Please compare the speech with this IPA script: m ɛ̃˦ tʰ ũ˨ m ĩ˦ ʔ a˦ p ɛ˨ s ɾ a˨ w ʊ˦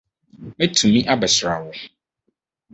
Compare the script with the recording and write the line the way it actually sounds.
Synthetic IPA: m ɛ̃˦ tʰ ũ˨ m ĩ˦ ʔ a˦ b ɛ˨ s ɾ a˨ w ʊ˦